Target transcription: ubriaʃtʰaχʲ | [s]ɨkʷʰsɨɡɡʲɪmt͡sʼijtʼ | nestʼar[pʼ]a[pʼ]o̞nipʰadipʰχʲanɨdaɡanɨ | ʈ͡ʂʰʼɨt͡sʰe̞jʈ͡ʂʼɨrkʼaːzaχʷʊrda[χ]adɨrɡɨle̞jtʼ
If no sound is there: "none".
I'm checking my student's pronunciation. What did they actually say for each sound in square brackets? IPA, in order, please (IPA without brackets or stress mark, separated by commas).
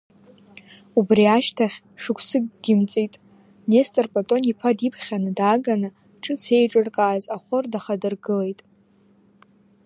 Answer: ʂ, pʼ, tʼ, χ